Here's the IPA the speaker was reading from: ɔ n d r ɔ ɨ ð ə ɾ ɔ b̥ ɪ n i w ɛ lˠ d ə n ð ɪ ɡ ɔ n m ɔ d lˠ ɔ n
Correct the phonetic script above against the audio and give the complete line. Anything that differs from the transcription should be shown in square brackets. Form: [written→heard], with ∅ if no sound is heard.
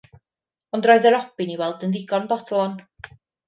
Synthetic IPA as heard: ɔ n d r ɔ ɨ ð ə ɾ ɔ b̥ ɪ n i w ɛ lˠ d ə n ð ɪ ɡ ɔ n [m→b] ɔ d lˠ ɔ n

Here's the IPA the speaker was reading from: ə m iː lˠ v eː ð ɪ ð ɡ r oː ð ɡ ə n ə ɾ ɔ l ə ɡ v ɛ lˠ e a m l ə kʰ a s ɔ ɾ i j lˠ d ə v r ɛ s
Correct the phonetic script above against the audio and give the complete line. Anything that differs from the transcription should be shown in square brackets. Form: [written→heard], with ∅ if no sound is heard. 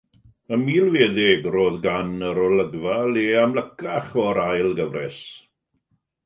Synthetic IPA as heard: ə m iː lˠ v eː ð ɪ [ð→∅] ɡ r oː ð ɡ [ə→a] n ə ɾ ɔ l ə ɡ v [ɛ→a] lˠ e a m l ə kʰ a [s→χ] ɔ ɾ [i→a] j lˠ [d→ɡ] ə v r ɛ s

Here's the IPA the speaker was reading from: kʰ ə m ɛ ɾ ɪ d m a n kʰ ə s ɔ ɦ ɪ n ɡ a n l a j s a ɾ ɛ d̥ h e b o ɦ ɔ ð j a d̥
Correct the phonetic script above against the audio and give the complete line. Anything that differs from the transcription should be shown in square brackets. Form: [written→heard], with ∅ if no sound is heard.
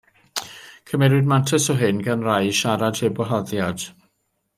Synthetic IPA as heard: kʰ ə m ɛ ɾ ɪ d m a n [kʰ→tʰ] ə s ɔ ɦ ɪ n ɡ a n [l→r] a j [s→ʃ] a ɾ [ɛ→a] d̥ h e b [o→ɔ] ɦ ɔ ð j a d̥

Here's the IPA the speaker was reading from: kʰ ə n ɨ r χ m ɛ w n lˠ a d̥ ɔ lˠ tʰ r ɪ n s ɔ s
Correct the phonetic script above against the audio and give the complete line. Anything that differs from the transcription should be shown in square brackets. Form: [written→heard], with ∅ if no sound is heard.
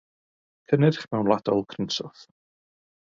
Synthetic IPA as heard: kʰ ə n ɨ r χ m ɛ w n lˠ a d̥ ɔ lˠ [tʰ→kʰ] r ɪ n s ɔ [s→θ]

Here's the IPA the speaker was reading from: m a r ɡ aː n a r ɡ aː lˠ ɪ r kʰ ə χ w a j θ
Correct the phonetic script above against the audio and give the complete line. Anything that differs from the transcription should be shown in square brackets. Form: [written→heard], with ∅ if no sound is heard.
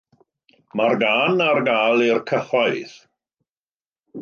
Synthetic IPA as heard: m a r ɡ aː n a r ɡ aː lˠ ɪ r kʰ ə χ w a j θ

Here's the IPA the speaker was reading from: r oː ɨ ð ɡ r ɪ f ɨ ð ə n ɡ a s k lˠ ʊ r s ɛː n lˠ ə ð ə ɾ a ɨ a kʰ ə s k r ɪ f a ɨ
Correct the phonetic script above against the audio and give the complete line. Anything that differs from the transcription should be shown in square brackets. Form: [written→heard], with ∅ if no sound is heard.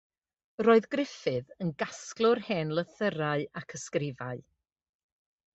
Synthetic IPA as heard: r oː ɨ ð ɡ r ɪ f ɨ ð ə n ɡ a s k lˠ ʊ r [s→h] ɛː n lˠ ə [ð→θ] ə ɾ a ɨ a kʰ ə s k r ɪ [f→v] a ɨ

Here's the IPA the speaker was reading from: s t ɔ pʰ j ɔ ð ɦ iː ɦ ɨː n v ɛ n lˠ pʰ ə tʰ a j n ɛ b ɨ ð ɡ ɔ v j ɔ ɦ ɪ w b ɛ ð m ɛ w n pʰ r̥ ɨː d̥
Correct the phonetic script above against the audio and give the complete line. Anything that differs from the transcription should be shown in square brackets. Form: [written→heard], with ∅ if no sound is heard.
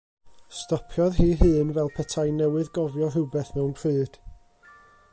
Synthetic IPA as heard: s t ɔ pʰ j ɔ ð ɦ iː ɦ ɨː n v ɛ [n→∅] lˠ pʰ ə tʰ a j n ɛ [b→w] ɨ ð ɡ ɔ v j ɔ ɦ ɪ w b ɛ [ð→θ] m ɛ w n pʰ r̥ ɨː d̥

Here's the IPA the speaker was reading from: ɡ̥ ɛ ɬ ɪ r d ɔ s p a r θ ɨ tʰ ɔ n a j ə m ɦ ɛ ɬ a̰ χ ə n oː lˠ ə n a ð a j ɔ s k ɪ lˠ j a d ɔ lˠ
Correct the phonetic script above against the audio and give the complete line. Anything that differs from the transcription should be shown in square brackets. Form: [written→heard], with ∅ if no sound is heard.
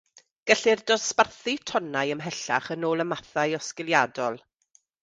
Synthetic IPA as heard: ɡ̥ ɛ ɬ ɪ r d ɔ s p a r θ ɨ tʰ ɔ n a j ə m ɦ ɛ ɬ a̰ χ ə n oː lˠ ə [n→m] a [ð→θ] a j ɔ s k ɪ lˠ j a d ɔ lˠ

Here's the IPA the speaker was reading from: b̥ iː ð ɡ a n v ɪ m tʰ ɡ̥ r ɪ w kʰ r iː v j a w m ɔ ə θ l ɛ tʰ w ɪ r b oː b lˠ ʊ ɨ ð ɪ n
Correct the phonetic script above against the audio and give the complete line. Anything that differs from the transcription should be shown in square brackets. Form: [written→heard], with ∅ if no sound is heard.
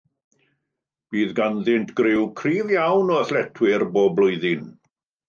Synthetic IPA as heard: b̥ iː ð ɡ a n [v→ð] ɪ [m→n] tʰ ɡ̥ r ɪ w kʰ r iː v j a w [m→n] ɔ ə θ l ɛ tʰ w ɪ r b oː b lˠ ʊ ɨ ð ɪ n

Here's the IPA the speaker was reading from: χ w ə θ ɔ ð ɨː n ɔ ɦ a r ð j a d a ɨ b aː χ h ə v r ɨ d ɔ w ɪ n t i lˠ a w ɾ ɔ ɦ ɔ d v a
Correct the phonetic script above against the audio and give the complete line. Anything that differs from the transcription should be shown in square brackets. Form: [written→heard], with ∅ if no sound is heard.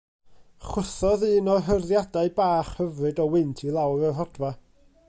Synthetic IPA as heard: χ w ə θ ɔ ð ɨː n ɔ ɦ [a→ə] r ð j a d a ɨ b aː χ h ə v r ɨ d ɔ w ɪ n [t→tʰ] i lˠ a w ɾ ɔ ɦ ɔ d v a

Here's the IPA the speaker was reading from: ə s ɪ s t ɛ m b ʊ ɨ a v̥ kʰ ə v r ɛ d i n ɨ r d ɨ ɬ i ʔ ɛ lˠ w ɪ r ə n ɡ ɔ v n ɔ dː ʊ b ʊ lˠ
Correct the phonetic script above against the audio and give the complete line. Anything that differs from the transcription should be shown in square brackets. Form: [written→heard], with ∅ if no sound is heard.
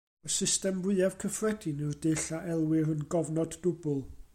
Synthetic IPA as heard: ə s ɪ s t ɛ m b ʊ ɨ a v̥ kʰ ə [v→f] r ɛ d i n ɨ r d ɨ ɬ [i→a] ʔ ɛ lˠ w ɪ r ə n ɡ ɔ v n ɔ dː ʊ b ʊ lˠ

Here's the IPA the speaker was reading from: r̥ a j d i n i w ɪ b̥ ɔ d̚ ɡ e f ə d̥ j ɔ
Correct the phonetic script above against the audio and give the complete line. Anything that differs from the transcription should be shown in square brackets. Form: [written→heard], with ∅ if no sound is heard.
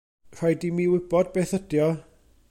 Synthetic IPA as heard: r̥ a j d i [n→m] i w ɪ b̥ ɔ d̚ [ɡ→b] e [f→θ] ə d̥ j ɔ

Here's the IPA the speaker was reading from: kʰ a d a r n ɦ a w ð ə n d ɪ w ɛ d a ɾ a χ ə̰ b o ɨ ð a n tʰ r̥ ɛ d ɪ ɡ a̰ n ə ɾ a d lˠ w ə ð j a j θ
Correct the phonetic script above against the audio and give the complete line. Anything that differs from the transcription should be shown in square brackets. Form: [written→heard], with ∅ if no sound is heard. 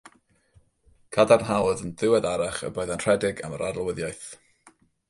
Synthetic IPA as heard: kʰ a d a r n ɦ a w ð ə n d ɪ w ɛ d a ɾ a χ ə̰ b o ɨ ð a n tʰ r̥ ɛ d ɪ ɡ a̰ [n→m] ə ɾ a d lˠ w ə ð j a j θ

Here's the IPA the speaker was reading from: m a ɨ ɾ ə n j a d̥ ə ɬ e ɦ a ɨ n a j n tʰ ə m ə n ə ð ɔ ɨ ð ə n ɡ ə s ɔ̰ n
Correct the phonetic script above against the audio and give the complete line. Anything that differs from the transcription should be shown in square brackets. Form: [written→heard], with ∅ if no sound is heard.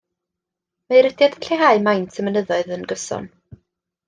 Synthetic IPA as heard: m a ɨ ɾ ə [n→d] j a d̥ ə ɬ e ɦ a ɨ [n→m] a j n tʰ ə m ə n ə ð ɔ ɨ ð ə n ɡ ə s ɔ̰ n

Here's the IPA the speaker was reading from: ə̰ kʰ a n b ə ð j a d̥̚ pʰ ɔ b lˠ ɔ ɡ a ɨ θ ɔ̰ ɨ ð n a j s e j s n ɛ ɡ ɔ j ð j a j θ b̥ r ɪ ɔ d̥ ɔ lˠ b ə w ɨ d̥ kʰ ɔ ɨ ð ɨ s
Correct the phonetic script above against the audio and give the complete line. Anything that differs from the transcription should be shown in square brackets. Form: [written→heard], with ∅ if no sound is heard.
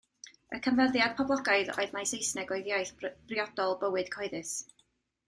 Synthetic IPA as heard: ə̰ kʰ [a→ə] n [b→v] ə ð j a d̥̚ pʰ ɔ b lˠ ɔ ɡ a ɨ [θ→ð] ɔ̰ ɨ ð [n→m] a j s e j s n ɛ ɡ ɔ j ð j a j θ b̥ r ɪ ɔ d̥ ɔ lˠ b ə w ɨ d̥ kʰ ɔ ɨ ð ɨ s

